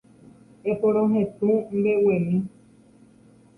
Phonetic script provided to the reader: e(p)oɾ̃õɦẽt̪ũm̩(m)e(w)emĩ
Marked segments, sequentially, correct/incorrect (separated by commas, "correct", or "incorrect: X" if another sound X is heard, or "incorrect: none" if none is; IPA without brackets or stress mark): correct, incorrect: b, correct